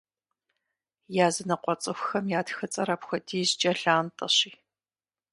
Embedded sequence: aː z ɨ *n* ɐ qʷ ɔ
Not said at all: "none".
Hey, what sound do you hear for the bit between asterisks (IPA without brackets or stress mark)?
n